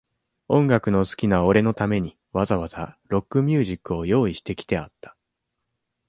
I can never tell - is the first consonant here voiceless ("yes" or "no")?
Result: no